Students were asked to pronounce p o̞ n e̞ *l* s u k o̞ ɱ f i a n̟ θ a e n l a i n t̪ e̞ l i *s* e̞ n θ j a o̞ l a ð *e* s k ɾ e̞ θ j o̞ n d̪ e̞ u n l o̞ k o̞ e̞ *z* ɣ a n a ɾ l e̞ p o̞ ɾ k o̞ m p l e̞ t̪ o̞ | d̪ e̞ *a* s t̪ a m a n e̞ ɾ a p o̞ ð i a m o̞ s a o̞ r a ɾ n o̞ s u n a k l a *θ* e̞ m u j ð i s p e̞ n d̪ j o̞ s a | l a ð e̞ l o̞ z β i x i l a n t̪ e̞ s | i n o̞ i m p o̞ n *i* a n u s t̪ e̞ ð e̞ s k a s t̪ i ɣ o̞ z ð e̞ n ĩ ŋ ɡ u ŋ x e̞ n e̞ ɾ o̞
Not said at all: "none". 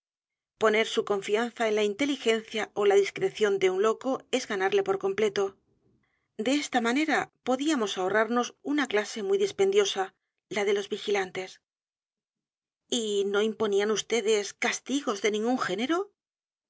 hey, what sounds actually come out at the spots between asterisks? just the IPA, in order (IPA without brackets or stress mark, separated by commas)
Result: ɾ, x, i, z, e, s, i